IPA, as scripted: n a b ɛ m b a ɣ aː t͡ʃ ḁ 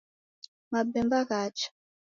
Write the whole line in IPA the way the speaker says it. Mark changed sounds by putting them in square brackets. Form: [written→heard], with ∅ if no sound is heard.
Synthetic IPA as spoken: [n→m] a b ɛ m b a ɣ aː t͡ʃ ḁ